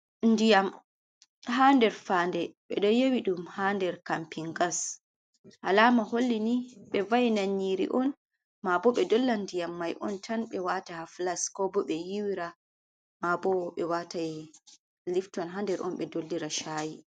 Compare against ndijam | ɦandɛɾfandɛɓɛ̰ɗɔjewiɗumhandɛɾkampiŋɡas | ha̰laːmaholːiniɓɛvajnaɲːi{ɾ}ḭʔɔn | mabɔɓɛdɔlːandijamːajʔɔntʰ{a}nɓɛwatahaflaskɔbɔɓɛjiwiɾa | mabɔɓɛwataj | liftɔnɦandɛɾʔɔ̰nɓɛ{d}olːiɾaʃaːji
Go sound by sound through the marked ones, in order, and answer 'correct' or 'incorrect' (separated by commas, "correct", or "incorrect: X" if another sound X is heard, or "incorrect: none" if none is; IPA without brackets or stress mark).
correct, correct, correct